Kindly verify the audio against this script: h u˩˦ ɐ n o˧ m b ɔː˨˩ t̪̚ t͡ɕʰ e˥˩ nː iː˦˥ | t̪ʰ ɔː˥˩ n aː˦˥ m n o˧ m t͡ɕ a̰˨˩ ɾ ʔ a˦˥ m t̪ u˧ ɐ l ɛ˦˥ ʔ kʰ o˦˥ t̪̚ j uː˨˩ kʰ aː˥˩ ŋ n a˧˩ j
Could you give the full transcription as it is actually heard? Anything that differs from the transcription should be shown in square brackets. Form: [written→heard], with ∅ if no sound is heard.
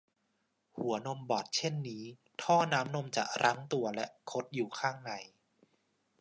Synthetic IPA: h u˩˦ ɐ n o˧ m b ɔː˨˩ t̪̚ t͡ɕʰ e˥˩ nː iː˦˥ | t̪ʰ ɔː˥˩ n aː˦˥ m n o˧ m t͡ɕ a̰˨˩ ɾ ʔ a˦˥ [m→ŋ] t̪ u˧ ɐ l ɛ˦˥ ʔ kʰ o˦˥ t̪̚ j uː˨˩ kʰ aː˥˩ ŋ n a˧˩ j